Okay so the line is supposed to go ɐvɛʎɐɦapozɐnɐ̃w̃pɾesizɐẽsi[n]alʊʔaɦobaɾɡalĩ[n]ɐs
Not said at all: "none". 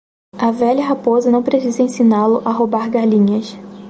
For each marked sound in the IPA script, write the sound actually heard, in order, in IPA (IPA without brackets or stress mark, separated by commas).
n, ɲ